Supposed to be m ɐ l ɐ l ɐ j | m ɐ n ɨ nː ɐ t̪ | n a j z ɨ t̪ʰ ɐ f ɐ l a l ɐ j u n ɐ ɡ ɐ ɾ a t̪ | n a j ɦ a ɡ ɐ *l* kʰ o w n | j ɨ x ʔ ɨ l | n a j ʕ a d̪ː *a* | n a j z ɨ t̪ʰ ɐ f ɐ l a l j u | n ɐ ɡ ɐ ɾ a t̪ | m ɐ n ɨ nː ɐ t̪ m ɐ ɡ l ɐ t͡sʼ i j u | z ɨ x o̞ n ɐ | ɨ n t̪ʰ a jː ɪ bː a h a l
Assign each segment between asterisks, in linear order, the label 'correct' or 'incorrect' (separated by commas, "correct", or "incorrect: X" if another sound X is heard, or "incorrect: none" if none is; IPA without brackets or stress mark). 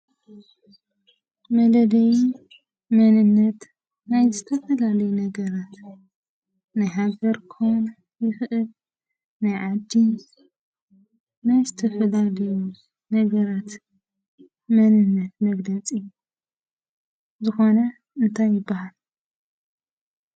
incorrect: ɾ, incorrect: i